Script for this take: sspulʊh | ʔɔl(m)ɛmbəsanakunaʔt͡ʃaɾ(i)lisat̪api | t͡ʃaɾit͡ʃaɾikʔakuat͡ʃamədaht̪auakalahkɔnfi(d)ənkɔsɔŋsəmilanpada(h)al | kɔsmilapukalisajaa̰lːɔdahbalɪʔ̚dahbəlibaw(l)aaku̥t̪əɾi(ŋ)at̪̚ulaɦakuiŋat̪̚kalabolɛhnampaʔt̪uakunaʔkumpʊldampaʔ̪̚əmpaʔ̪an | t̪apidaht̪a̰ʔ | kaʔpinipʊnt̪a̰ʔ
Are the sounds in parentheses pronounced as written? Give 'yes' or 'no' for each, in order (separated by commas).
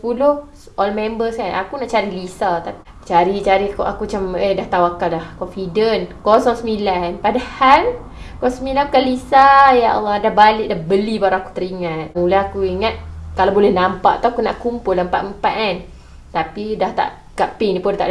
yes, yes, yes, yes, no, yes